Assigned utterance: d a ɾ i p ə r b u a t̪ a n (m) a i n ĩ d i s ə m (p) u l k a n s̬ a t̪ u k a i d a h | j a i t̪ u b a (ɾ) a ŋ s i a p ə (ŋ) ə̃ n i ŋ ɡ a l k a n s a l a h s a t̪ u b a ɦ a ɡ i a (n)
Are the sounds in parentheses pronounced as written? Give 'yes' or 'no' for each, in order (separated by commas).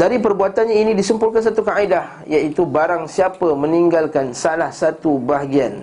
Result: no, yes, yes, no, yes